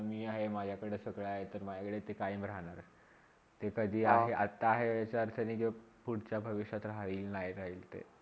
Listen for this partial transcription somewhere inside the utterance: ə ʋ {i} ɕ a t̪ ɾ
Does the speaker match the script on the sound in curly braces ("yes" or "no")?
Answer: yes